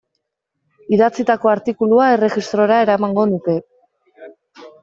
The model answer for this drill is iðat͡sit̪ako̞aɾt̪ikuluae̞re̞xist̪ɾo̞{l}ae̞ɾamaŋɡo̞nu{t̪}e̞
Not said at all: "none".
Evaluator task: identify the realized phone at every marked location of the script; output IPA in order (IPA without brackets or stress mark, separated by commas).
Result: ɾ, t̪